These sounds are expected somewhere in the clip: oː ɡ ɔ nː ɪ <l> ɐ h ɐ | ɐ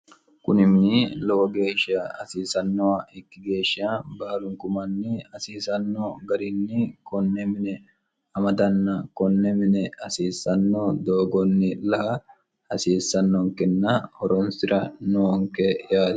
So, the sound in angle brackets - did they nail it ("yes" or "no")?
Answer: yes